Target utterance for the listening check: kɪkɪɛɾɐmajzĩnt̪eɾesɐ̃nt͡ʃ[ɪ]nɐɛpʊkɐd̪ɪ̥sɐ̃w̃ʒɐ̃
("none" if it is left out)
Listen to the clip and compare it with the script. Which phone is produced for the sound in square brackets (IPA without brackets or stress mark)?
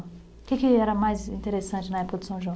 ɪ